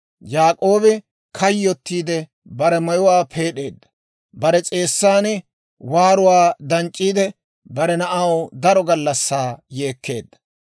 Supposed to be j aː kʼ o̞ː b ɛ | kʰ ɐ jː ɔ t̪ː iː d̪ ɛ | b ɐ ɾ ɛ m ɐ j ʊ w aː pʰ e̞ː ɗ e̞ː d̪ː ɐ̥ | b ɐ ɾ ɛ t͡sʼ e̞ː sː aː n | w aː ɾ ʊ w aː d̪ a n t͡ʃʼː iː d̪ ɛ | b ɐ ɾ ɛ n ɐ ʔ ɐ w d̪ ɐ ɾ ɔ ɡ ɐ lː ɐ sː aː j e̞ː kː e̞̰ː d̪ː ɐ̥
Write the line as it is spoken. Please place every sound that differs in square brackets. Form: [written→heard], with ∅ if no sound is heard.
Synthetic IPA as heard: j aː kʼ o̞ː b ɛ | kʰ ɐ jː ɔ t̪ː iː d̪ ɛ | b ɐ ɾ ɛ m ɐ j ʊ w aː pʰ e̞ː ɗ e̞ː d̪ː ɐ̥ | b ɐ ɾ ɛ t͡sʼ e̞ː sː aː n | w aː ɾ ʊ w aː d̪ [a→ɐ] n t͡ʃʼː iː d̪ ɛ | b ɐ ɾ ɛ n ɐ ʔ ɐ w d̪ ɐ ɾ ɔ ɡ ɐ lː ɐ sː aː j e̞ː kː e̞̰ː d̪ː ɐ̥